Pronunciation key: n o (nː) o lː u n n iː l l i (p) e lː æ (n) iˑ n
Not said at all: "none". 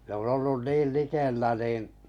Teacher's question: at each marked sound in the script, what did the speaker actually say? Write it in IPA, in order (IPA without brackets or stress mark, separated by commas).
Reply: n, k, n